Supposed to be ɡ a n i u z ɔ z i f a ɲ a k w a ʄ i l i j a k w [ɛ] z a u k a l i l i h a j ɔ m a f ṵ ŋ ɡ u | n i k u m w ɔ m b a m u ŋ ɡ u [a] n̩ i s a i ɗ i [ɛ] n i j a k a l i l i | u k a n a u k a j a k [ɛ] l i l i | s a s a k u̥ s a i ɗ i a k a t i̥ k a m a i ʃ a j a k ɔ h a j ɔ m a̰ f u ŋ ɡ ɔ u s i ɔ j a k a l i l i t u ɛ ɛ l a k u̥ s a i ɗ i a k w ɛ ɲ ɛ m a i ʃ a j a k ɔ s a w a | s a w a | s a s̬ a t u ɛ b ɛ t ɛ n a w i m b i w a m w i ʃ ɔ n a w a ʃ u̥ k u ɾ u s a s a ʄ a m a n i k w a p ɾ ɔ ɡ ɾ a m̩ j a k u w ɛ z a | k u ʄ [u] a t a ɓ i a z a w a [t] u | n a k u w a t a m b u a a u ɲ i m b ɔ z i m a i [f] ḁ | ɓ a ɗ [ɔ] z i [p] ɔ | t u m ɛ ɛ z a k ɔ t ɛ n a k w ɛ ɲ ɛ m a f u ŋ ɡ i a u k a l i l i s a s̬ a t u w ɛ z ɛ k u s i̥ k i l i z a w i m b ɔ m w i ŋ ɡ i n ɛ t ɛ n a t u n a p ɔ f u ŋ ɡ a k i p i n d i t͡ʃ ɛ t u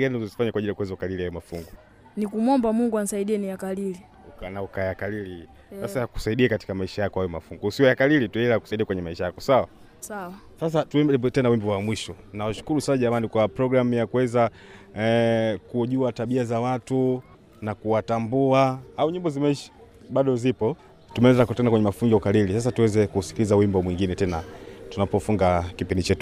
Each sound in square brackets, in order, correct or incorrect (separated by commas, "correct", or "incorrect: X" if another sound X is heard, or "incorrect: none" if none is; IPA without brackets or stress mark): correct, correct, correct, incorrect: a, correct, correct, incorrect: ʃ, correct, correct